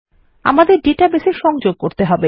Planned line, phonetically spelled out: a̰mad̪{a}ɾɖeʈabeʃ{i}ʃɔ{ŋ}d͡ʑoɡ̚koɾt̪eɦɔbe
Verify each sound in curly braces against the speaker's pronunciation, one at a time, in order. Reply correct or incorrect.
incorrect, incorrect, correct

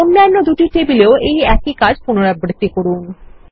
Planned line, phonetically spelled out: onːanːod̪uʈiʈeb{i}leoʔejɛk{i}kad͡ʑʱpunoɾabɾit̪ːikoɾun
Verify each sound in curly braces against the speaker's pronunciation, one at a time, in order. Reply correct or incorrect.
correct, correct

